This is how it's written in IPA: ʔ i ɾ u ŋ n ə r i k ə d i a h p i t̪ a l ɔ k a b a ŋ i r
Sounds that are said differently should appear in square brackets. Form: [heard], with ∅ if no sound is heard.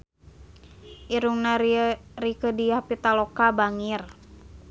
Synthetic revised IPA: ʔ i ɾ u ŋ n [a] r i k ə d i a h p i t̪ a l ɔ k a b a ŋ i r

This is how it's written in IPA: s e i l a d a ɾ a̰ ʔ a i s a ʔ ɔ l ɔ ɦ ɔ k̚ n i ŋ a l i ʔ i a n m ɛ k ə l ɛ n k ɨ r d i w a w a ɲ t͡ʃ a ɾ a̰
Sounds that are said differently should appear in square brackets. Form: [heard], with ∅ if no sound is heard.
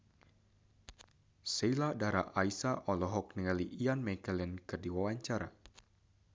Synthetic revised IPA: s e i l a d a ɾ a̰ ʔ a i s a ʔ ɔ l ɔ ɦ ɔ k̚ n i ŋ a l i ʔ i a n m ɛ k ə l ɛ n k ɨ r d i w a w a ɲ t͡ʃ a ɾ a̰

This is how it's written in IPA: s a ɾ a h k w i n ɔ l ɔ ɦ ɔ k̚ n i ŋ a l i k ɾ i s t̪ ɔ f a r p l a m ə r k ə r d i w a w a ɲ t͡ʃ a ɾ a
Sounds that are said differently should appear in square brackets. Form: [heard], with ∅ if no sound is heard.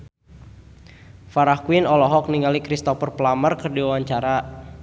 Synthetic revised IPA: [f] a ɾ a h k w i n ɔ l ɔ ɦ ɔ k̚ n i ŋ a l i k ɾ i s t̪ ɔ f [ə] r p l a m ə r k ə r d i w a w a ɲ t͡ʃ a ɾ a

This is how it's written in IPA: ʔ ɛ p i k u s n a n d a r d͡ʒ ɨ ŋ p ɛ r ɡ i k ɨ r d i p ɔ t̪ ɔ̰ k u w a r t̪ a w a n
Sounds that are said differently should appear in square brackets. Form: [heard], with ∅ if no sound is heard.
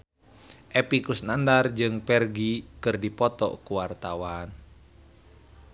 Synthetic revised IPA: ʔ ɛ p i k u s n a n d a r d͡ʒ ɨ ŋ p ɛ r ɡ i k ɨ r d i p ɔ t̪ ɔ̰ k u w a r t̪ a w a n

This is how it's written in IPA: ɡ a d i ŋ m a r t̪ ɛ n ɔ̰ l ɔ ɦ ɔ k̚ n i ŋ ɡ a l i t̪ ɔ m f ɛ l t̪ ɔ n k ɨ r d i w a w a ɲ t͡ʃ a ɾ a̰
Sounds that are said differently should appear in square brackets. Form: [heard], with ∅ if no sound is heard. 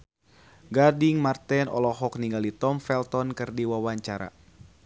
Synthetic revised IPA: ɡ a d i ŋ m a r t̪ ɛ n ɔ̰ l ɔ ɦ ɔ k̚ n i ŋ ɡ a l i t̪ ɔ m f ɛ l t̪ ɔ n k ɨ r d i w a w a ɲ t͡ʃ a ɾ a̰

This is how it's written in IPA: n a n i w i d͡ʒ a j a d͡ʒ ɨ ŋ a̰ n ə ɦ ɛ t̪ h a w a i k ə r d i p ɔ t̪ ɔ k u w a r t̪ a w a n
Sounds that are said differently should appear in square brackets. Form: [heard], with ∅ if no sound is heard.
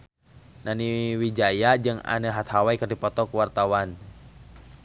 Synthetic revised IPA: n a n i w i d͡ʒ a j a d͡ʒ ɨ ŋ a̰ n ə ɦ [a] t̪ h a w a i k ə r d i p ɔ t̪ ɔ k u w a r t̪ a w a n

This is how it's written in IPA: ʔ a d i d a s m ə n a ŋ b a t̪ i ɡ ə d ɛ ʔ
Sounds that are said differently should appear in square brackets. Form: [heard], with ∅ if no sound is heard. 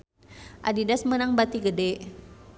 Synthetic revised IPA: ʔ a d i d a s m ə n a ŋ b a t̪ i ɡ ə d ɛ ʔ

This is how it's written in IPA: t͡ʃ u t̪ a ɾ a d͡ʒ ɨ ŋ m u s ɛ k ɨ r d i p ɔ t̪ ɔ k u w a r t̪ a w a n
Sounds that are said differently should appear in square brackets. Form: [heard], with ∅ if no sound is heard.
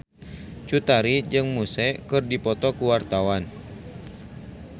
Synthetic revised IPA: t͡ʃ u t̪ a ɾ [i] d͡ʒ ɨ ŋ m u s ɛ k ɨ r d i p ɔ t̪ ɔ k u w a r t̪ a w a n

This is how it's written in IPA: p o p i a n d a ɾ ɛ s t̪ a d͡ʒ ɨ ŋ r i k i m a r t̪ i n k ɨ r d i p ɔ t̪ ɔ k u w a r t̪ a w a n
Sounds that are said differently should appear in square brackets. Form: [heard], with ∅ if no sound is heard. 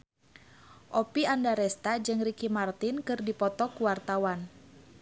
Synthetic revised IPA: [ʔ] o p i a n d a ɾ ɛ s t̪ a d͡ʒ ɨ ŋ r i k i m a r t̪ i n k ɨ r d i p ɔ t̪ ɔ k u w a r t̪ a w a n

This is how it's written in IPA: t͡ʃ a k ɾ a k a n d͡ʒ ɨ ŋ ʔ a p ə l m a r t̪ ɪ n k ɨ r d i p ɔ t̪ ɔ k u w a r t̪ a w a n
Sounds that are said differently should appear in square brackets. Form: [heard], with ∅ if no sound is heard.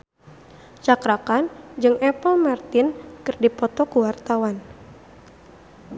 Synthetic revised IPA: t͡ʃ a k ɾ a k a n d͡ʒ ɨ ŋ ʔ [ɛ] p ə l m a r t̪ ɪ n k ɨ r d i p ɔ t̪ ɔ k u w a r t̪ a w a n

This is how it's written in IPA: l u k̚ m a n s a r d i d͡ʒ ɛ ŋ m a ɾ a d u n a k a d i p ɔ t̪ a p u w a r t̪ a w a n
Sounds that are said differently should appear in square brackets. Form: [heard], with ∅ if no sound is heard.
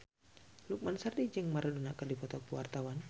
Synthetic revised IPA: l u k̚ m a n s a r d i d͡ʒ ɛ ŋ m a ɾ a d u n a k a d i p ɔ t̪ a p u w a r t̪ a w a n

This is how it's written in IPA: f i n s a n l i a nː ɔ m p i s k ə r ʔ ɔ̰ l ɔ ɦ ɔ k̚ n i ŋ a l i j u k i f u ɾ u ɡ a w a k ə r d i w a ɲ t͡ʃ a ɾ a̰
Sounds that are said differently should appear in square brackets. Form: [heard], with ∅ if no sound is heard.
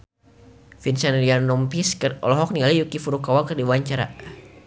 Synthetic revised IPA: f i n s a n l i a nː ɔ m p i s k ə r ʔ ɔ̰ l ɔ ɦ ɔ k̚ n i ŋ a l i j u k i f u ɾ u [k] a w a k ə r d i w a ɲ t͡ʃ a ɾ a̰

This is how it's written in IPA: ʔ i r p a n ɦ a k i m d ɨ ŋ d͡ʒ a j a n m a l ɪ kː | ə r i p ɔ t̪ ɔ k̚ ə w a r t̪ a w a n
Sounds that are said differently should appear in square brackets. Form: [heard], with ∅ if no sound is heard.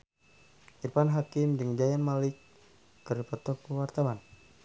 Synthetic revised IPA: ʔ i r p a n ɦ a k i m d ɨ ŋ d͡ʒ a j a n m a l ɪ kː | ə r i p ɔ t̪ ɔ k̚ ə w a r t̪ a w a n

